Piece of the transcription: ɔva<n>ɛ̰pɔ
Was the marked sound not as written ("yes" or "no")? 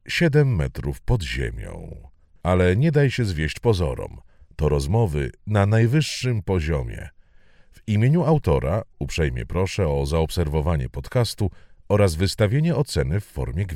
yes